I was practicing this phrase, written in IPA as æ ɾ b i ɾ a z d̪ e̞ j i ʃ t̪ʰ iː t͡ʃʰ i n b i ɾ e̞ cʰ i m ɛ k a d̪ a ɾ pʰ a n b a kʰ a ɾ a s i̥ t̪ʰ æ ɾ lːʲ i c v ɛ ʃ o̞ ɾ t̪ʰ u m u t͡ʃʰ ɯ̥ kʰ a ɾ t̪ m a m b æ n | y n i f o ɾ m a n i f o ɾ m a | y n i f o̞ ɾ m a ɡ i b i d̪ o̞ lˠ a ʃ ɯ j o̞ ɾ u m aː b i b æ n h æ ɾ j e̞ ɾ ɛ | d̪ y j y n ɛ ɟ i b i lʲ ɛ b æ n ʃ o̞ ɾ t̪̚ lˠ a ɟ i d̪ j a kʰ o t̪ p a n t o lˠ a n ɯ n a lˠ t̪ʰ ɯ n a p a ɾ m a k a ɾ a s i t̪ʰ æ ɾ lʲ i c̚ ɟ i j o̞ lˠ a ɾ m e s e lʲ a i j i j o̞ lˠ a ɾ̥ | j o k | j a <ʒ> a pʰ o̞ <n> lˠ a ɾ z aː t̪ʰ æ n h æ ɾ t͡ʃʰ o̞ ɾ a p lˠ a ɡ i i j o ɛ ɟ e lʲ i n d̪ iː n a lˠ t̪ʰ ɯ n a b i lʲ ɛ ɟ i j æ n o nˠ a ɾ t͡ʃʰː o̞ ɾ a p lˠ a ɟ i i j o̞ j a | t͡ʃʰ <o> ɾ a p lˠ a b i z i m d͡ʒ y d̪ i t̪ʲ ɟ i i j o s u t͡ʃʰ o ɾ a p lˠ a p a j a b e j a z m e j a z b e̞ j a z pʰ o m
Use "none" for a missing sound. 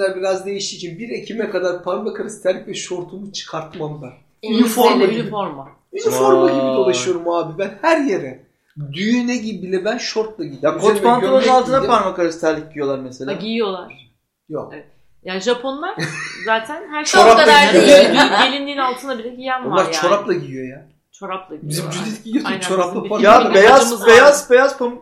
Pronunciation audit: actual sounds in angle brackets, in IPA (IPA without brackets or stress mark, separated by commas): ʒ, n, o